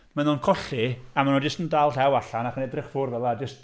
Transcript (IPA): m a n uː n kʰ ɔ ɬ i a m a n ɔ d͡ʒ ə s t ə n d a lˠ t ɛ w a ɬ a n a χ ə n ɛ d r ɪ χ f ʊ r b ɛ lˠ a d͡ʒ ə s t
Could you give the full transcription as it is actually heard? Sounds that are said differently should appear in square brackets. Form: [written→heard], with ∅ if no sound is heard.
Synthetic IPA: m a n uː n kʰ ɔ ɬ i a m a n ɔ d͡ʒ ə s t ə n d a lˠ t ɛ w a ɬ a n a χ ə n ɛ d r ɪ χ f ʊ r [b→v] ɛ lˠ a d͡ʒ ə s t

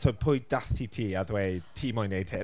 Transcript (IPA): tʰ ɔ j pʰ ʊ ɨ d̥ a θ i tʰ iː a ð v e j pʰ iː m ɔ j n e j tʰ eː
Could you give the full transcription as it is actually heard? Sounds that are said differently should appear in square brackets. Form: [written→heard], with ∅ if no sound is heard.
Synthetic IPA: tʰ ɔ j pʰ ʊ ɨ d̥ a θ i tʰ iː a ð [v→w] e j [pʰ→tʰ] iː m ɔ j n e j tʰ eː

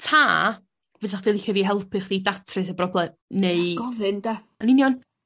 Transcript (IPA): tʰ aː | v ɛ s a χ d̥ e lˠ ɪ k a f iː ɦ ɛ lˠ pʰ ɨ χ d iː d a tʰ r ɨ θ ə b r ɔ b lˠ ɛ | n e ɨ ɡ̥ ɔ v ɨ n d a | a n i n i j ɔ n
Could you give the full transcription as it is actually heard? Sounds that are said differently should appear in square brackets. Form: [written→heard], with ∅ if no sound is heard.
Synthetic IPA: tʰ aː | v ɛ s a χ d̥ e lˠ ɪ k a [f→v] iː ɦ ɛ lˠ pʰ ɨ χ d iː d a tʰ r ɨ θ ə b r ɔ b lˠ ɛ | n e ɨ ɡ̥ ɔ v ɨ n d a | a n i n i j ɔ n

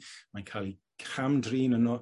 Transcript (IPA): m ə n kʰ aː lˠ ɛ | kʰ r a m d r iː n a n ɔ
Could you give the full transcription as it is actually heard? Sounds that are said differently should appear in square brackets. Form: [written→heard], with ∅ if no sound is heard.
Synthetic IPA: m [ə→a] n kʰ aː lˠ [ɛ→i] | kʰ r a m d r iː n [a→ə] n ɔ

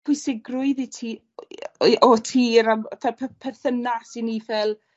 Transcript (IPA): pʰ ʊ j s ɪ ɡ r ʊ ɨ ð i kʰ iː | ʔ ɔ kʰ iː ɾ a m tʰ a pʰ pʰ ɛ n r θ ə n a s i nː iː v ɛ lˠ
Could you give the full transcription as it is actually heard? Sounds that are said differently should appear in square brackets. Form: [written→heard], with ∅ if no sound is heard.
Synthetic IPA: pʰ ʊ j s ɪ ɡ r ʊ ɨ ð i [kʰ→tʰ] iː | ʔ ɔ [kʰ→tʰ] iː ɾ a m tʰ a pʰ pʰ ɛ [n→∅] r θ ə n a s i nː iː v ɛ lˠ

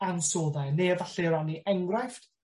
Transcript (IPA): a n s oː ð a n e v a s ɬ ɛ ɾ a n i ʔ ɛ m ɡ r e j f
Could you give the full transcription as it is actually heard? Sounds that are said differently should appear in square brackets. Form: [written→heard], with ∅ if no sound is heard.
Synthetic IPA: a n s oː ð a n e v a [s→∅] ɬ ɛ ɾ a n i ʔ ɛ [m→ŋ] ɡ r [e→a] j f

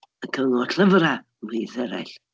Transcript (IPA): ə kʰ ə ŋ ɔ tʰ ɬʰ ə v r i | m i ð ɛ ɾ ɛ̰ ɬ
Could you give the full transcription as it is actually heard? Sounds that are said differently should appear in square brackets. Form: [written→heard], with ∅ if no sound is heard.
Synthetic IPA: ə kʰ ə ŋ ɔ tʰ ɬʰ ə v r [i→a] | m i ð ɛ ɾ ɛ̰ ɬ

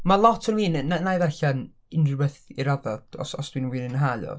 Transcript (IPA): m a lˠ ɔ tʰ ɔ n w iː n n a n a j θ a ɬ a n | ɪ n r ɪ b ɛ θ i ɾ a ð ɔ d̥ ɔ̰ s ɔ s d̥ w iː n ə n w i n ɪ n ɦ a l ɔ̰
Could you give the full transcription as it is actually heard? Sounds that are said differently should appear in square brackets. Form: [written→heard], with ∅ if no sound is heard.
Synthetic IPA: m a lˠ ɔ tʰ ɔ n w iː n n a n a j [θ→ð] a ɬ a n | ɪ n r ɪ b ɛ θ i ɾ a ð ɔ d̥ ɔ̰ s ɔ s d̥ w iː n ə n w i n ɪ n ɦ a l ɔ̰

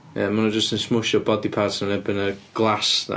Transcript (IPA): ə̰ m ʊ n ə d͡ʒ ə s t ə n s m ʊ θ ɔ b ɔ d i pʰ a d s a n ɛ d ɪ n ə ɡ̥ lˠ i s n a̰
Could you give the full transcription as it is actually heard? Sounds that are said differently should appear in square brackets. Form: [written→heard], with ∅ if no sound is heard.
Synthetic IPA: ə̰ m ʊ n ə d͡ʒ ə s t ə n s m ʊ [θ→ʃ] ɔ b ɔ d i pʰ a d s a n ɛ [d→b] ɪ n ə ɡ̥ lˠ [i→a] s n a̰

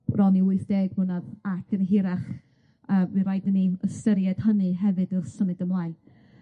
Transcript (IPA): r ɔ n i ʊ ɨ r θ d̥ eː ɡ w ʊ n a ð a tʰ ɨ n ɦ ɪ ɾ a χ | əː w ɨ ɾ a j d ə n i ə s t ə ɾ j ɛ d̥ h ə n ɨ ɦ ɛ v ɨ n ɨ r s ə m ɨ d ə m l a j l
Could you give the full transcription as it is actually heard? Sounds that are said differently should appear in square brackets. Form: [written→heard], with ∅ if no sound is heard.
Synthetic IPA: r ɔ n i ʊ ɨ [r→∅] θ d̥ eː ɡ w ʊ n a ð a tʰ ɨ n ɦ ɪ ɾ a χ | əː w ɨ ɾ a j d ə n i ə s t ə ɾ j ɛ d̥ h ə n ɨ ɦ ɛ v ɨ [n→d] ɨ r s ə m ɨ d ə m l a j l

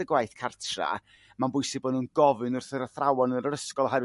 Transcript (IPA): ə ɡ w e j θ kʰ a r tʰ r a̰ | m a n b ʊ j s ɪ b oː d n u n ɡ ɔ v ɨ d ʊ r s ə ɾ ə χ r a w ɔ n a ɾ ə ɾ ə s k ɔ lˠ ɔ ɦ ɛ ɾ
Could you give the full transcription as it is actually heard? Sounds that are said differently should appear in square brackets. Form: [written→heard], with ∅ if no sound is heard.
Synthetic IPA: ə ɡ w [e→a] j θ kʰ a r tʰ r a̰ | m a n b ʊ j s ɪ b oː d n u n ɡ ɔ v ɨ [d→n] ʊ r [s→θ] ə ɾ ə [χ→θ] r a w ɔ n [a→ə] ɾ ə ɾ ə s k ɔ lˠ ɔ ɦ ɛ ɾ

